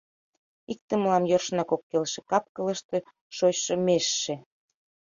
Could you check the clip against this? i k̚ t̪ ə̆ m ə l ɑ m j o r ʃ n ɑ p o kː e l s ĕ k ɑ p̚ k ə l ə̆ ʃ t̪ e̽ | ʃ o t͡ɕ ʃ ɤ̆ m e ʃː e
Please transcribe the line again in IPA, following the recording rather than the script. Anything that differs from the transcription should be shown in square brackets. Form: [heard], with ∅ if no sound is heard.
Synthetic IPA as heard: i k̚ t̪ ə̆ m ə l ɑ m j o r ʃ n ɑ [k] o kː e l [ʃ] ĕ k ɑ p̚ k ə l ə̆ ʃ t̪ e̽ | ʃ o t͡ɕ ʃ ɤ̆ m e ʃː e